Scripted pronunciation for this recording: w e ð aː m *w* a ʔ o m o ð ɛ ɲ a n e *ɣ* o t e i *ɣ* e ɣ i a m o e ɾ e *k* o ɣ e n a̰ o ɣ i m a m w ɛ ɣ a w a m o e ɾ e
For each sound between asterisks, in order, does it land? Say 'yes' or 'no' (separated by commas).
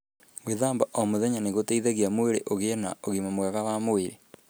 no, yes, no, no